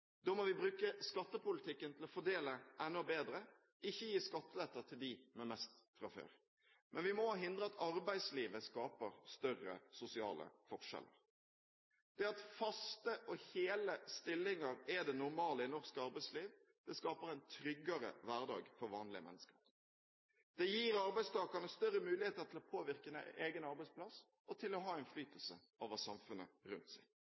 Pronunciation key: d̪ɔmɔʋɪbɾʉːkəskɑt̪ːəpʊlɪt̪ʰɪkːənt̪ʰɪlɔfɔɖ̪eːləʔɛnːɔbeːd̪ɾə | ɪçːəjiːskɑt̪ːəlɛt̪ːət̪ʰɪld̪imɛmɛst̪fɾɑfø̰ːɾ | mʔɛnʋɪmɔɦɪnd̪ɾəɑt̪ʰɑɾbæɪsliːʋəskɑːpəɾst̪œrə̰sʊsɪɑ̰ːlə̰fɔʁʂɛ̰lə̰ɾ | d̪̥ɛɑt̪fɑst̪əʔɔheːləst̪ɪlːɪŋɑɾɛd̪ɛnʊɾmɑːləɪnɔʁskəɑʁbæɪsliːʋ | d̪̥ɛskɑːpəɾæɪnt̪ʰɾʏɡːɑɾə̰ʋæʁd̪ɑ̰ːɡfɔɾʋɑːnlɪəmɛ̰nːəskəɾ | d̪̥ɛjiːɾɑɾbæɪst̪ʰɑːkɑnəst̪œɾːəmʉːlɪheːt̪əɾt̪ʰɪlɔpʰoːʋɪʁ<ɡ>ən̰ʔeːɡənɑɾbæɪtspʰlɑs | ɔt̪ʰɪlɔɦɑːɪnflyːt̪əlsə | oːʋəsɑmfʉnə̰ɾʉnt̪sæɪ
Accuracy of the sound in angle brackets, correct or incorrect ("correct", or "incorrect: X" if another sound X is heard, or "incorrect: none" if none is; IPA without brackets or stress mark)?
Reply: incorrect: k